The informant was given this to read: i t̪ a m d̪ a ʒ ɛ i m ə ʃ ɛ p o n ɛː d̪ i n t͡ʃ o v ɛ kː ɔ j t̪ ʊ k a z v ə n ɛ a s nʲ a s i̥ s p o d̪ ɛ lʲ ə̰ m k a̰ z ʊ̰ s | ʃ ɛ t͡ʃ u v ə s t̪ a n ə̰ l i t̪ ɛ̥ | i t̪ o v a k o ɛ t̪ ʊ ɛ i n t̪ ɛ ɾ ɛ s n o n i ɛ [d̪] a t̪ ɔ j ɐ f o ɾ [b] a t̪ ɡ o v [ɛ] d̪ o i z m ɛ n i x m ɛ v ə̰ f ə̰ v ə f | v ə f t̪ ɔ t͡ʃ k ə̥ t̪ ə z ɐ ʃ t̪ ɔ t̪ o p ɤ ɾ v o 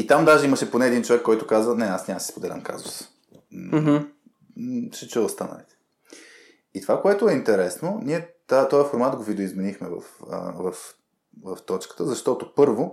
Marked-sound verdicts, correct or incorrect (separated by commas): incorrect, incorrect, incorrect